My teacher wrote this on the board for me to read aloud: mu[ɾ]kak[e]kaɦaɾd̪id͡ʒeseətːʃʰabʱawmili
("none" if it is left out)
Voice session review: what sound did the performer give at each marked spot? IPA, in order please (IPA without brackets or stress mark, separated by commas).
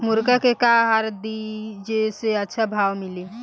ɾ, e